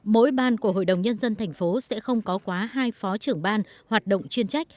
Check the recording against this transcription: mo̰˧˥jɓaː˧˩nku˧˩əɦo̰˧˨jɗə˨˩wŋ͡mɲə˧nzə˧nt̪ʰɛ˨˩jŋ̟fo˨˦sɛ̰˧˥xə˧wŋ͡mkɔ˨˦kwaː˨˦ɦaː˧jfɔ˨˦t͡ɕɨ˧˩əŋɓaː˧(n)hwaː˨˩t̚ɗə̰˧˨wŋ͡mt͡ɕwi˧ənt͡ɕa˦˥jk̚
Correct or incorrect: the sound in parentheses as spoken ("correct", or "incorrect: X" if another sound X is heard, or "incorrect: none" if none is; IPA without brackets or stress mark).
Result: correct